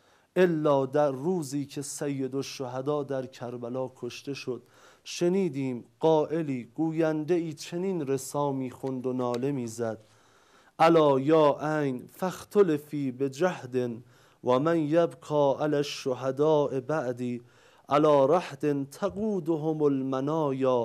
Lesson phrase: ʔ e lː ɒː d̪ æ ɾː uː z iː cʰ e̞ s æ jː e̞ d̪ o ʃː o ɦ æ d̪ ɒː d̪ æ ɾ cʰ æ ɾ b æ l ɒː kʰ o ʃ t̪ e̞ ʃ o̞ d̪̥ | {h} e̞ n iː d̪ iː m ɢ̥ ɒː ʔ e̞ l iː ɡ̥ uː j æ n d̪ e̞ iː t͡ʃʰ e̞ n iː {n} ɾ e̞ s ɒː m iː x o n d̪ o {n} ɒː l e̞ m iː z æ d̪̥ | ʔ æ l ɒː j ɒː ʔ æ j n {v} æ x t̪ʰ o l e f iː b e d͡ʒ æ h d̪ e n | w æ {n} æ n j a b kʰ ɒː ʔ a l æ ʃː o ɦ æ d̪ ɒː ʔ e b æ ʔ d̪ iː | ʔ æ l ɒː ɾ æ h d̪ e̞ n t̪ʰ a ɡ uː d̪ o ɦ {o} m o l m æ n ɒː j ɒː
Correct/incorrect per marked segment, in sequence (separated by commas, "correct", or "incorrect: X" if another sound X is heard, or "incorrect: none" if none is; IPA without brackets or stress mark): incorrect: ʃ, correct, correct, incorrect: f, incorrect: m, correct